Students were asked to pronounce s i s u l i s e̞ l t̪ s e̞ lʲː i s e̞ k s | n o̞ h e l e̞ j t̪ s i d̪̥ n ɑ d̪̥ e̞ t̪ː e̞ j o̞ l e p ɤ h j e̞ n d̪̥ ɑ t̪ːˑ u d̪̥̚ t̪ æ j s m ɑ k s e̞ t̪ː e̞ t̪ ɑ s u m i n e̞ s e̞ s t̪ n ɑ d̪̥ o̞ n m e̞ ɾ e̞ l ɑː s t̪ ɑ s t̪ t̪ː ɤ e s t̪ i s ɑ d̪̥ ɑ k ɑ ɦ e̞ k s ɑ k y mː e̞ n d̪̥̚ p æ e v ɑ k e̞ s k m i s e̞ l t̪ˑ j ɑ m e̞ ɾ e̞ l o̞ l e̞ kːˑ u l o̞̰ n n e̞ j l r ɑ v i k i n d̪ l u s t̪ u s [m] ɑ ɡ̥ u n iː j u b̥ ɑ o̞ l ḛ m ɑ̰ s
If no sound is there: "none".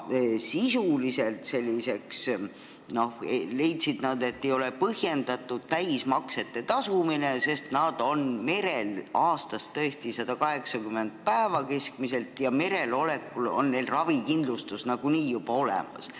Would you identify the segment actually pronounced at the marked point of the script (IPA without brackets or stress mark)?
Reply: n